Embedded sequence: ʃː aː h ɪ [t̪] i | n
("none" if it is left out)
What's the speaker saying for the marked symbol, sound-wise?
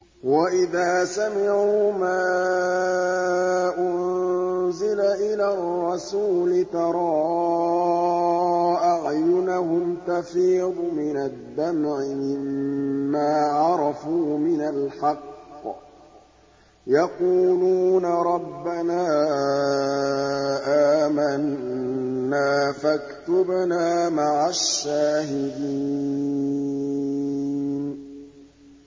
d̪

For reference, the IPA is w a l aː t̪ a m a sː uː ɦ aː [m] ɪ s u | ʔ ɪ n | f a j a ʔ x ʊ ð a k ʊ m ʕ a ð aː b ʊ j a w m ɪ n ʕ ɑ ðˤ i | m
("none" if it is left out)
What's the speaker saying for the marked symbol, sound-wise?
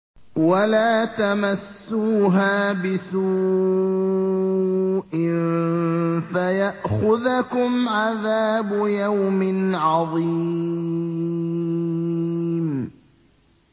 b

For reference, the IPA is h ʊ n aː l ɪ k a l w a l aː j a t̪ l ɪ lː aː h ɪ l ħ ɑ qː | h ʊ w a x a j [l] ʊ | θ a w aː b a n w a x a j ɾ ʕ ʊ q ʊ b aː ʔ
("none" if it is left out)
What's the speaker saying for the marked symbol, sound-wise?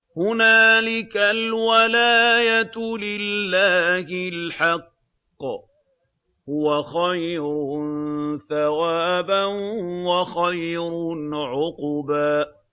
ɾ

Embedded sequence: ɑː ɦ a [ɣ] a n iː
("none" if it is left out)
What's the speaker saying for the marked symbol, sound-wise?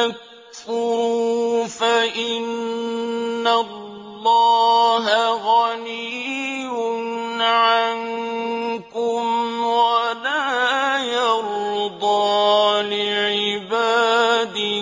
ɣ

